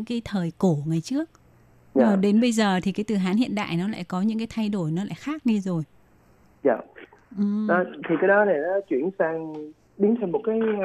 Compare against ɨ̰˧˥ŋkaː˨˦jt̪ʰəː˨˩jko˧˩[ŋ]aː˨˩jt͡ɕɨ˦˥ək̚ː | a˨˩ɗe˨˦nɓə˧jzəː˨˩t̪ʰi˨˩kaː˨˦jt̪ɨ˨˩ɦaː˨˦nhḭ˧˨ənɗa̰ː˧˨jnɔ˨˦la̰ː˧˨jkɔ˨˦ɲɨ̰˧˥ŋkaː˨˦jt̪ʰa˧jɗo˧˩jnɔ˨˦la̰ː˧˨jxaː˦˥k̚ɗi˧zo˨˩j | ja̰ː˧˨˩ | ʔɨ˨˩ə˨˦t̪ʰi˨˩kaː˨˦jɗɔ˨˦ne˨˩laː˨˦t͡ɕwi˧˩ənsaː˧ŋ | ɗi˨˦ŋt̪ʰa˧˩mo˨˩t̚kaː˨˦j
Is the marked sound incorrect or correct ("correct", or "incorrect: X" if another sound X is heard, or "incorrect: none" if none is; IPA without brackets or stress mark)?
correct